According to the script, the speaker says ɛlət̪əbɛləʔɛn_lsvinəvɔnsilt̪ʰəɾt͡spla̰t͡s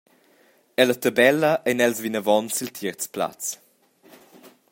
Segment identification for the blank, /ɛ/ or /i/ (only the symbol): ɛ